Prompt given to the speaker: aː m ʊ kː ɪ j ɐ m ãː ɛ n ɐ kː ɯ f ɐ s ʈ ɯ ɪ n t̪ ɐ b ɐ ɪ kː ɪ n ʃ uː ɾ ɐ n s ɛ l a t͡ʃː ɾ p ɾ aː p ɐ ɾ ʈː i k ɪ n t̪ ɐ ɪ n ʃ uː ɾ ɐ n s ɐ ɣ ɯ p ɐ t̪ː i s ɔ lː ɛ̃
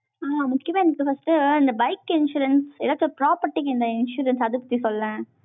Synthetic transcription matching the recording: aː m ʊ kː ɪ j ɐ m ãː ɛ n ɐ kː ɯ f ɐ s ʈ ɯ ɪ n d̪ ɐ b ɐ ɪ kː ɪ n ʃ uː ɾ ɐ n s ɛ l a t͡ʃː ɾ p ɾ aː p ɐ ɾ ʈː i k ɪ n d̪ ɐ ɪ n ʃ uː ɾ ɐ n s ɐ ð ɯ p ɐ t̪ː i s ɔ lː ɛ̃